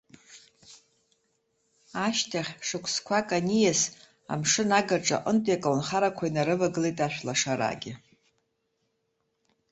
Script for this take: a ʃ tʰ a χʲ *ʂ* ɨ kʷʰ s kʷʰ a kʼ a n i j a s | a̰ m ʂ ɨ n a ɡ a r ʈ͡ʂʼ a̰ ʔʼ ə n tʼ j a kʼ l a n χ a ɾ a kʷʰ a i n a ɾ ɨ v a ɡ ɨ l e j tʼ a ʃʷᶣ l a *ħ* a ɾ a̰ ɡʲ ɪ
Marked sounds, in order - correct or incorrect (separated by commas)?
correct, incorrect